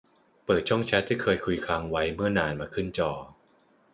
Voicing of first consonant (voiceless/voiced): voiceless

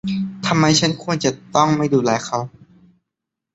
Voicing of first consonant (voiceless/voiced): voiceless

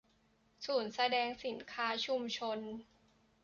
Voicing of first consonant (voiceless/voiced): voiceless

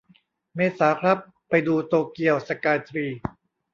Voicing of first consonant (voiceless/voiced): voiced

